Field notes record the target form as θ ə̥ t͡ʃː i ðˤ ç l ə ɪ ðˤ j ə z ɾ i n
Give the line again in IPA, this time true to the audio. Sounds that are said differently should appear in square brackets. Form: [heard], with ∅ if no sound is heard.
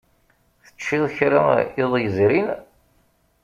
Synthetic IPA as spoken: θ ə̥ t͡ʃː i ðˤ ç [ɾ] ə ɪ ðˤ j ə z ɾ i n